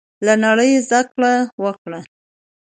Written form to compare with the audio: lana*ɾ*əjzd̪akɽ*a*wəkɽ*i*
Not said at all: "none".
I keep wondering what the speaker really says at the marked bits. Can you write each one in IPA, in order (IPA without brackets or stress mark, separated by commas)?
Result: ɽ, a, a